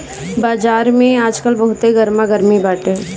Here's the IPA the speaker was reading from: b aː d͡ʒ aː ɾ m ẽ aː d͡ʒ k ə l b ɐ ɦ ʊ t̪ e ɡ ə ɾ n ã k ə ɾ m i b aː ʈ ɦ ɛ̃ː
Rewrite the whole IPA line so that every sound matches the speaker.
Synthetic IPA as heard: b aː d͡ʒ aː ɾ m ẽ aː d͡ʒ k ə l b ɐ ɦ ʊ t̪ e ɡ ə ɾ m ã ɡ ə ɾ m i b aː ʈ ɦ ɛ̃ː